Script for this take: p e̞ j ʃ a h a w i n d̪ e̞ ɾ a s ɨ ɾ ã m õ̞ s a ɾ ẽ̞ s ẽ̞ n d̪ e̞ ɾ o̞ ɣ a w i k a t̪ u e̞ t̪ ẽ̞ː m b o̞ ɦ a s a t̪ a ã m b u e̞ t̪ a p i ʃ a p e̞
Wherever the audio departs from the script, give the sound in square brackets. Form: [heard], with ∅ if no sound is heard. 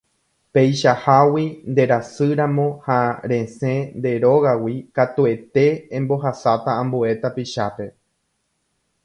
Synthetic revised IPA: p e̞ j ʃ a h a w i n d̪ e̞ ɾ a s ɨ ɾ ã m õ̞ [h] a ɾ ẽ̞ s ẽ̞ n d̪ e̞ ɾ o̞ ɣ a w i k a t̪ u e̞ t̪ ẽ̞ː m b o̞ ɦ a s a t̪ a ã m b u e̞ t̪ a p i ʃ a p e̞